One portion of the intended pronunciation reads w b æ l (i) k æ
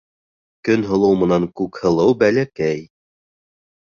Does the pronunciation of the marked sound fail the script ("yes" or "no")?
yes